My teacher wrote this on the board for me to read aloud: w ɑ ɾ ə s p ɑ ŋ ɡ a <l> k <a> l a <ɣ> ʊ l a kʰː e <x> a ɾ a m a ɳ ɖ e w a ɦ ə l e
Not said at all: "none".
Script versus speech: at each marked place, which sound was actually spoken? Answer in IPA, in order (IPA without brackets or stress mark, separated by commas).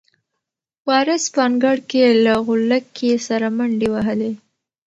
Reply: ɽ, e, ɣ, s